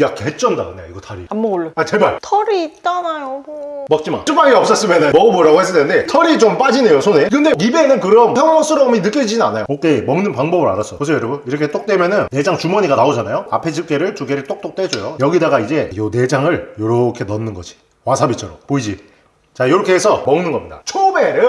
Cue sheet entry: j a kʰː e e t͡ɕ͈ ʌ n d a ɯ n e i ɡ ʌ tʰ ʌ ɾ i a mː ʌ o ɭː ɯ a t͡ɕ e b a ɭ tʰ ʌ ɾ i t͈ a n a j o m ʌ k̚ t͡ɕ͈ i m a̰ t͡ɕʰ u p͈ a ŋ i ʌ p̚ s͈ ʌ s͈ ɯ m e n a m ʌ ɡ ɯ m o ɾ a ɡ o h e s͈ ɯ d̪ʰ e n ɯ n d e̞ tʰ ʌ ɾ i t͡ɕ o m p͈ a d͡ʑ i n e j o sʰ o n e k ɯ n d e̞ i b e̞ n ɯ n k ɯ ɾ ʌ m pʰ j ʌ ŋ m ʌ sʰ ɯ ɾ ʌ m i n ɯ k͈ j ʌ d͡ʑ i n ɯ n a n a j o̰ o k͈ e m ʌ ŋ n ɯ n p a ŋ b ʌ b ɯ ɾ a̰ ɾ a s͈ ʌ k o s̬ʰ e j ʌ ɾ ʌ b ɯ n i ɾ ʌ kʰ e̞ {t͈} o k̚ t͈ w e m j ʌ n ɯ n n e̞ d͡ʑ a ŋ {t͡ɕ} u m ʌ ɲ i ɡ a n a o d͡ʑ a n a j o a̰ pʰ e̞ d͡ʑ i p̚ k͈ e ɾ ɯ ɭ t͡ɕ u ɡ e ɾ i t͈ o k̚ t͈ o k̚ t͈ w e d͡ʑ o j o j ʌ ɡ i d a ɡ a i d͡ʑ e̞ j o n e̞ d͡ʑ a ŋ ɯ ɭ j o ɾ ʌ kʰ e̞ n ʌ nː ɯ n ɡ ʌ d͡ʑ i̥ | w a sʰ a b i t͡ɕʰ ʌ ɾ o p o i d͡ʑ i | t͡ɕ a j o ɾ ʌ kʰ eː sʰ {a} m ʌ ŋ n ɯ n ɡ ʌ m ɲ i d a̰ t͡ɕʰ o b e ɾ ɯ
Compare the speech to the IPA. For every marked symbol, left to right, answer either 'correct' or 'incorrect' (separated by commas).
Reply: correct, correct, incorrect